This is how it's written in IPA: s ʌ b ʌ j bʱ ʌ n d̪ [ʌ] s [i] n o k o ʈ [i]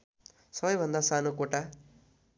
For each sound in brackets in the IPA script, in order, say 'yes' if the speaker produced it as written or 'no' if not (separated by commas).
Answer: no, no, no